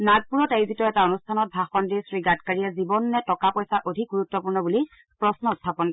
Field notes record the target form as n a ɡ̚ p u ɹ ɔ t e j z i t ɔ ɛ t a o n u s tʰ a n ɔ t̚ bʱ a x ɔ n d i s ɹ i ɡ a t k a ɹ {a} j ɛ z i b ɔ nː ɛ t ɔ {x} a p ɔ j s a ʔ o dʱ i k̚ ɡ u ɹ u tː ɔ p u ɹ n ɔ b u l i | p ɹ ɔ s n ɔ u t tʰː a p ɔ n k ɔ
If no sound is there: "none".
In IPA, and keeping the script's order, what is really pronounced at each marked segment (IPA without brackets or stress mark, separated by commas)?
i, k